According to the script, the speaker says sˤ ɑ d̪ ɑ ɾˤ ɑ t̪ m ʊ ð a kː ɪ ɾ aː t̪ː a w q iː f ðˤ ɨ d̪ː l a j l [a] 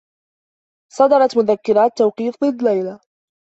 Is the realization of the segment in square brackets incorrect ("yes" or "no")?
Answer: no